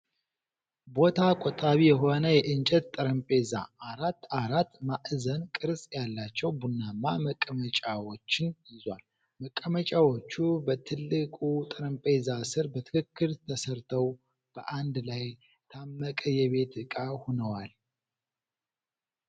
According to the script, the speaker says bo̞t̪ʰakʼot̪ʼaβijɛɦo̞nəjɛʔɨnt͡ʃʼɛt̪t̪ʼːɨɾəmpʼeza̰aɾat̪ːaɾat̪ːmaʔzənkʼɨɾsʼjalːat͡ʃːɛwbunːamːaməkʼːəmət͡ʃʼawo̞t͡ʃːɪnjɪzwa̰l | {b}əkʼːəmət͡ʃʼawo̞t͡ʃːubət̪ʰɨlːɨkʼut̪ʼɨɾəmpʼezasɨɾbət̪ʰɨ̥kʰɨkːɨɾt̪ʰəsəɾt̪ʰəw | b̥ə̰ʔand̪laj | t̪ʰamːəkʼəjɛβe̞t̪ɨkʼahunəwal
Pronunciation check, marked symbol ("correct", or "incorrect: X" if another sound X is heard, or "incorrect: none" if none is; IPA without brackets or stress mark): incorrect: m